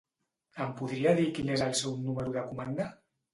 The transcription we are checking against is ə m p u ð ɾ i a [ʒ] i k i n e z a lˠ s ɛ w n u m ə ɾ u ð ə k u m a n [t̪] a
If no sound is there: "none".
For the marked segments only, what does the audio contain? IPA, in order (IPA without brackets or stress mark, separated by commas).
ð, d̪